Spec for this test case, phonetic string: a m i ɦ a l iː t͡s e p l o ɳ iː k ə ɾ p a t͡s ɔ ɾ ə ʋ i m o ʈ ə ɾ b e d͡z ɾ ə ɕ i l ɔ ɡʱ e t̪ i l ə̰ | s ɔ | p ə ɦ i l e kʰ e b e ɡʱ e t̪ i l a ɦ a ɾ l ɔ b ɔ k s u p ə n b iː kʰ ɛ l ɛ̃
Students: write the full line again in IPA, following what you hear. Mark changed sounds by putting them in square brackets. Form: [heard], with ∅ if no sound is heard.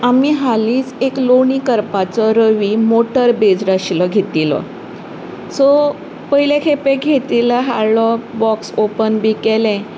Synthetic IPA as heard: a m i ɦ a l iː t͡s e [k] l o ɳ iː k ə ɾ p a t͡s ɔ ɾ ə ʋ i m o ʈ ə ɾ b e d͡z ɾ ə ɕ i l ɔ ɡʱ e t̪ i l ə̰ | s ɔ | p ə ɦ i l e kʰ e [p] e ɡʱ e t̪ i l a ɦ a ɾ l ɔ b ɔ k s [o] p ə n b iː [k] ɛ l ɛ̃

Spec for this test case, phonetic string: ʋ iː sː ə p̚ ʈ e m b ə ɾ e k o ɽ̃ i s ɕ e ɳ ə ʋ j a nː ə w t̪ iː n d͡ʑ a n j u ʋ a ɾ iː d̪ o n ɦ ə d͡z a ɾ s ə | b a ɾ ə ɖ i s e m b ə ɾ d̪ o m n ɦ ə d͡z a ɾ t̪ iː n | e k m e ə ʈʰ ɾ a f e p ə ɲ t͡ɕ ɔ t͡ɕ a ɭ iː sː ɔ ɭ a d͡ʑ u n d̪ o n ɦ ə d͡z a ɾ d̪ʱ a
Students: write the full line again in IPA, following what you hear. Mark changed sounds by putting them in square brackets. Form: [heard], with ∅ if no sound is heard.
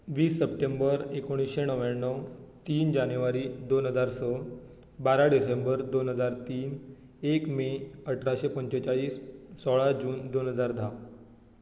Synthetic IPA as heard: ʋ iː sː ə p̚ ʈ e m b ə ɾ e k o ɽ̃ i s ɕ e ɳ ə ʋ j a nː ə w t̪ iː n d͡ʑ a n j u ʋ a ɾ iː d̪ o n ɦ ə d͡z a ɾ s ə | b a ɾ [a] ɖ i s e m b ə ɾ d̪ o [∅] n ɦ ə d͡z a ɾ t̪ iː n | e k m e ə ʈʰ ɾ a [ɕ] e p ə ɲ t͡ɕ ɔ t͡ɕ a ɭ iː sː ɔ ɭ a d͡ʑ [uː] n d̪ o n ɦ ə d͡z a ɾ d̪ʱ a

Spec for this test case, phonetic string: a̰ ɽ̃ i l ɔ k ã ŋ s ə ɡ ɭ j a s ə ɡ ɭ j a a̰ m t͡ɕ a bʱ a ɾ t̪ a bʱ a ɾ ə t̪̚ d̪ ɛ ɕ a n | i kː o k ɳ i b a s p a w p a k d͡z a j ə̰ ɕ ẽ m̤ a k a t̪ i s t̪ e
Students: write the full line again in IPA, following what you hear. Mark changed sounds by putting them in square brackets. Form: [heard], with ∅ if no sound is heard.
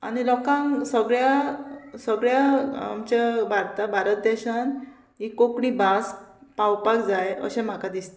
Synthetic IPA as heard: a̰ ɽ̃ i l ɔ k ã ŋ s ə ɡ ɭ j a s ə ɡ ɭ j a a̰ m t͡ɕ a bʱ a ɾ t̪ a bʱ a ɾ ə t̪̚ d̪ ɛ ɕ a n | i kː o k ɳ i b a s p a w p a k d͡z a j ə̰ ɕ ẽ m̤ a k a [d̪] i s t̪ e

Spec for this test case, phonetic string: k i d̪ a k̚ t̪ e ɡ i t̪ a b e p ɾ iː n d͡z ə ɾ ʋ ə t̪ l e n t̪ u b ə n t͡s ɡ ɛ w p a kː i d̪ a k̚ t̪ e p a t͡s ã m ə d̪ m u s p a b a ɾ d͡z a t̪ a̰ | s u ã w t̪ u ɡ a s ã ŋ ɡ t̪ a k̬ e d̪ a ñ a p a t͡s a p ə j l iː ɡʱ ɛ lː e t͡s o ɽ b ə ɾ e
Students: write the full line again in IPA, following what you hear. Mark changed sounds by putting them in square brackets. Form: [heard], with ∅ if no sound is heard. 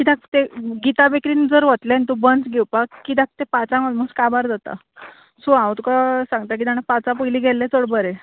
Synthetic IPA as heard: k i d̪ a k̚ t̪ e ɡ i t̪ a b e [k] ɾ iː n d͡z ə ɾ ʋ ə t̪ l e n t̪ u b ə n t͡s ɡ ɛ w p a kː i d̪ a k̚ t̪ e p a t͡s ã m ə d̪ m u s [k] a b a ɾ d͡z a t̪ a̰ | s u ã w t̪ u [k] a s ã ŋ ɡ t̪ a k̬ [i] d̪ a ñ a p a t͡s a p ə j l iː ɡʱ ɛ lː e t͡s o ɽ b ə ɾ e

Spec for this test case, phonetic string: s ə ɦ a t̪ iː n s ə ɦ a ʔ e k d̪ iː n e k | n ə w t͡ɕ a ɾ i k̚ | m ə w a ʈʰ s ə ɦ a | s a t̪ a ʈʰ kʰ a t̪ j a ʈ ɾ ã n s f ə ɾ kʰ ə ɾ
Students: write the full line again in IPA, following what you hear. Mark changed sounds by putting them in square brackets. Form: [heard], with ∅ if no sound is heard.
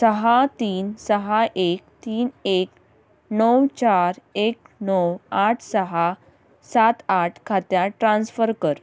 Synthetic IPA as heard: s ə ɦ a t̪ iː n s ə ɦ a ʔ e k [t̪] iː n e k | n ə w t͡ɕ a ɾ [e] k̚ | [n] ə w a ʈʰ s ə ɦ a | s a t̪ a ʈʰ kʰ a t̪ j a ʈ ɾ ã n s f ə ɾ [k] ə ɾ

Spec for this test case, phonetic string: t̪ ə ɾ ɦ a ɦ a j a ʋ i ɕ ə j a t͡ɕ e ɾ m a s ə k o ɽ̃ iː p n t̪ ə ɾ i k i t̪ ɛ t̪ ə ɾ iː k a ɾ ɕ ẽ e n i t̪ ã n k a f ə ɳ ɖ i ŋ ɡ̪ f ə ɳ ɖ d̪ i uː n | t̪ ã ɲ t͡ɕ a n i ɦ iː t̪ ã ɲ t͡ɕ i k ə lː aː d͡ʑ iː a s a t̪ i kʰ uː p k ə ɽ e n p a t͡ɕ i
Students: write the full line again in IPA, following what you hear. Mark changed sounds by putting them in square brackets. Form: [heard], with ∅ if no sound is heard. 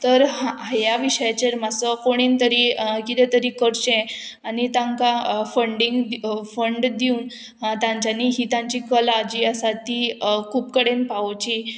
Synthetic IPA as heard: t̪ ə ɾ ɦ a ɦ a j a ʋ i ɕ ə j a t͡ɕ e ɾ m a s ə k o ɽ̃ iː [∅] n t̪ ə ɾ i k i t̪ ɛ t̪ ə ɾ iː k [ə] ɾ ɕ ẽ [a] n i t̪ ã [ŋ] k a f ə ɳ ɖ i ŋ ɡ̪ f ə ɳ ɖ d̪ i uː n | t̪ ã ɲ t͡ɕ a n i ɦ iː t̪ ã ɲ t͡ɕ i k ə [l] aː d͡ʑ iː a s a t̪ i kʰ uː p k ə ɽ e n p a t͡ɕ i

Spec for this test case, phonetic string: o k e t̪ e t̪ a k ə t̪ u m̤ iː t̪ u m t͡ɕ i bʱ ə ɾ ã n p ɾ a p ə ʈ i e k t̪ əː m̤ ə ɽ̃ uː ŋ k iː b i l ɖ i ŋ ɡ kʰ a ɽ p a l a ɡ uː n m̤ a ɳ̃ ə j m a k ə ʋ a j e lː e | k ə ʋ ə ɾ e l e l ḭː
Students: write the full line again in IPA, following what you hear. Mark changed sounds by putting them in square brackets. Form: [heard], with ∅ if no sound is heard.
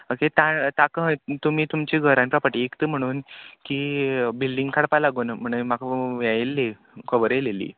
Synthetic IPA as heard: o k e t̪ [a] t̪ a k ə t̪ u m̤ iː t̪ u m t͡ɕ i [ɡʱ] ə ɾ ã n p ɾ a p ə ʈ i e k t̪ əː m̤ ə ɽ̃ uː [n] k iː b i l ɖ i ŋ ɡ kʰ a ɽ p a l a ɡ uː n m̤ [ə] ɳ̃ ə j m a k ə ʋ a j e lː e | k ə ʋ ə ɾ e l e l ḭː

